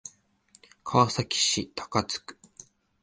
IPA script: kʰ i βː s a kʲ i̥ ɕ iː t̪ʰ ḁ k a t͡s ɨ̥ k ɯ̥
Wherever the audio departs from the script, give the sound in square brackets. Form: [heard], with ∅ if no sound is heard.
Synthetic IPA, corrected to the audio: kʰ [a] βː s a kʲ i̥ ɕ [i] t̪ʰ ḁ k a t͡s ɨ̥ k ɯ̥